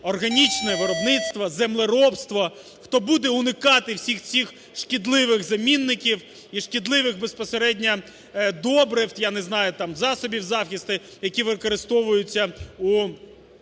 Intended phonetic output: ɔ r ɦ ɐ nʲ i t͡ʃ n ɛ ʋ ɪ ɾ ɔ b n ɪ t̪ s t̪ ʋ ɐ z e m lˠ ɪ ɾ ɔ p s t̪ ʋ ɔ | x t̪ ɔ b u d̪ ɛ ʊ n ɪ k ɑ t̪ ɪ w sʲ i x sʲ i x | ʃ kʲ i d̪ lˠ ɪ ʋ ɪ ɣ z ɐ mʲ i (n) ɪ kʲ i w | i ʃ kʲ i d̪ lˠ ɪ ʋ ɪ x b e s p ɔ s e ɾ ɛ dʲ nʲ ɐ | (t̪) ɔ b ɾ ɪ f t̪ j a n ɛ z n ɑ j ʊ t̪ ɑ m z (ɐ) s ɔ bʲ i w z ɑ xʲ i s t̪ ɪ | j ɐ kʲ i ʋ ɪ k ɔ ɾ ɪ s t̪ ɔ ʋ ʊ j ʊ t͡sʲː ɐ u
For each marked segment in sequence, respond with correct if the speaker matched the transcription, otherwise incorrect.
incorrect: nː, incorrect: d̪, incorrect: ɑ

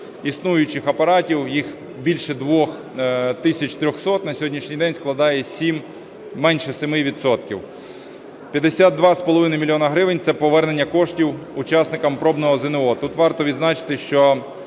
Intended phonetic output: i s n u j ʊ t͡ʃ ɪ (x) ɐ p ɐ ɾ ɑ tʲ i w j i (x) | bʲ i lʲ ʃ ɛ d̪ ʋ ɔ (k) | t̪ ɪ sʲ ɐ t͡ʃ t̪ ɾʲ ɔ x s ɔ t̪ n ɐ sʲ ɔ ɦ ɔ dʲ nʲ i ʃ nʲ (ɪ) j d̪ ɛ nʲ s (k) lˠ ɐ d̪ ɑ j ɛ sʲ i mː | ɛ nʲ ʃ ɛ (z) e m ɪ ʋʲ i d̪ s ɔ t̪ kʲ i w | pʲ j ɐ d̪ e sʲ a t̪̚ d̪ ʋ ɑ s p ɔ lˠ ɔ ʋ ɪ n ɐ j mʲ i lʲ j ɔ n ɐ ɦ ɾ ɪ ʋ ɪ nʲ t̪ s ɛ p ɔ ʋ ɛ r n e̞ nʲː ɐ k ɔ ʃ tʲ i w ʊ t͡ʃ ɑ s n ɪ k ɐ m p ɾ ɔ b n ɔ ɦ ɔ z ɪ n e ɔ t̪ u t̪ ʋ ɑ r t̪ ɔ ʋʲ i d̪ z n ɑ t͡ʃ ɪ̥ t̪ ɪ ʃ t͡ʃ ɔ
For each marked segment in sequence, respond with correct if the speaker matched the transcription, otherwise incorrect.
correct, correct, incorrect: x, incorrect: i, correct, incorrect: s

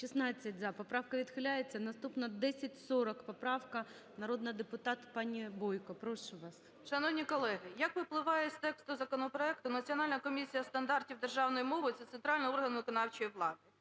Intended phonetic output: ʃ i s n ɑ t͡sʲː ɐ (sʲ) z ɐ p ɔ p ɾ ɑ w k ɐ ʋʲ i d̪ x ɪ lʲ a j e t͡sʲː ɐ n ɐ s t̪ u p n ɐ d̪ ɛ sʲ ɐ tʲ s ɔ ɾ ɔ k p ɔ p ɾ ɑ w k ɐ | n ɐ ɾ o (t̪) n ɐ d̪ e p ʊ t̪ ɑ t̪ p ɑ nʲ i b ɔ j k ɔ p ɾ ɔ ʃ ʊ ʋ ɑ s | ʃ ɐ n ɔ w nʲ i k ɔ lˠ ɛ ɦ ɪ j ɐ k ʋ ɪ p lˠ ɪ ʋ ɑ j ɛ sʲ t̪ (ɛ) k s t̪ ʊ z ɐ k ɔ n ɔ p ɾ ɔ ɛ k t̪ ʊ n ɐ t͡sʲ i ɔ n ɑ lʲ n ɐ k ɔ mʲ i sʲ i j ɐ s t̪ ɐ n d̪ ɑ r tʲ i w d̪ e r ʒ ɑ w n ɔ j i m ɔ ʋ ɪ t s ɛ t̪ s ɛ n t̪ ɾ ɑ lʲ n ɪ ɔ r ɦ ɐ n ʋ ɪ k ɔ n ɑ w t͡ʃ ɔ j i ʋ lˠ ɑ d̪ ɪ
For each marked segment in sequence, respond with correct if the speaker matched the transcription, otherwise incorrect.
incorrect: tʲ, incorrect: d̪, correct

